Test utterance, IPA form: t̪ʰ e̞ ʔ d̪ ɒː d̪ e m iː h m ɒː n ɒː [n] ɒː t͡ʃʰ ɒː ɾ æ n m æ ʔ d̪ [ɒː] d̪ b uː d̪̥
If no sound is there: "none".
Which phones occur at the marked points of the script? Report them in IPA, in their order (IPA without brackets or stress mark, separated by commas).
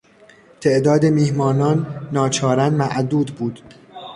nː, uː